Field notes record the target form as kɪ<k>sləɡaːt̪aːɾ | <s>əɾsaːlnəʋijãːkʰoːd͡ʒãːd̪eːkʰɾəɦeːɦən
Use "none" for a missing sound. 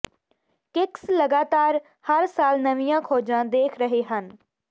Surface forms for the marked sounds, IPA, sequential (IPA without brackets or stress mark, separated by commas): k, h